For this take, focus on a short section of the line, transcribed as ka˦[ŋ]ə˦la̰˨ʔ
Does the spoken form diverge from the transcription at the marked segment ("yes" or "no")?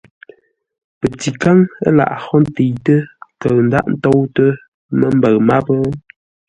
no